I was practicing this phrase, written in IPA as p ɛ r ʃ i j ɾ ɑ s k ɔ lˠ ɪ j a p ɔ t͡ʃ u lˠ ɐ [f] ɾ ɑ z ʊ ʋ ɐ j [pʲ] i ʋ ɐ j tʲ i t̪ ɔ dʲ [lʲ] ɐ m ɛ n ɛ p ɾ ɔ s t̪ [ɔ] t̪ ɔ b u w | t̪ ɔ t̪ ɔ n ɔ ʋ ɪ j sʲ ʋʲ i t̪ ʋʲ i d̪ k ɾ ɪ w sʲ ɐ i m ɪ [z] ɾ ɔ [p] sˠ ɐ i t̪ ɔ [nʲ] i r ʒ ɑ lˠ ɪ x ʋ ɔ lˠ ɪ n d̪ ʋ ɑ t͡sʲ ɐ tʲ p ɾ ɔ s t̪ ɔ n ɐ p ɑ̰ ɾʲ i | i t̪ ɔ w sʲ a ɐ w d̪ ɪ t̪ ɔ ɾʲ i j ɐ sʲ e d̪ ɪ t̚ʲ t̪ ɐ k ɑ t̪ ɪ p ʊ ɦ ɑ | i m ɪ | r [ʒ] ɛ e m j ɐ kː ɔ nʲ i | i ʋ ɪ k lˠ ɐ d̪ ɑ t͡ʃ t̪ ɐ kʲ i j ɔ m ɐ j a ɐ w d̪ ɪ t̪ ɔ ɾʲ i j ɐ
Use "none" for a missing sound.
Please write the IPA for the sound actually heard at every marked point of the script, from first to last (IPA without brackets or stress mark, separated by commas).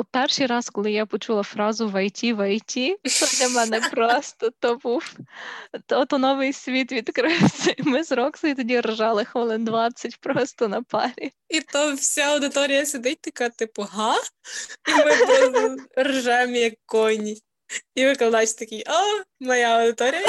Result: f, tʲ, lʲ, ɔ, z, k, dʲ, ʒ